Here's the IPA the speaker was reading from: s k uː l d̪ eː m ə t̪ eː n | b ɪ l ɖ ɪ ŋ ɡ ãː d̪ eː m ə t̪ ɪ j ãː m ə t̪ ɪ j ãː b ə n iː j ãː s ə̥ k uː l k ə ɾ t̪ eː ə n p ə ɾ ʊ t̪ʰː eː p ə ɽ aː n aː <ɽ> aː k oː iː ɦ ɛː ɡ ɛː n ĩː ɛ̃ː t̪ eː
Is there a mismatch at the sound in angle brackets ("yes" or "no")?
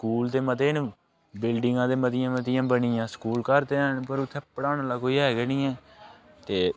yes